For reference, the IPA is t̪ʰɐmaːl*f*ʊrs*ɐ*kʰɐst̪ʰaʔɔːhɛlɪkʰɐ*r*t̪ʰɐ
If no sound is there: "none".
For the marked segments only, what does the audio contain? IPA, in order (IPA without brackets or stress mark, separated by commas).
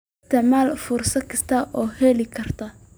f, ɐ, r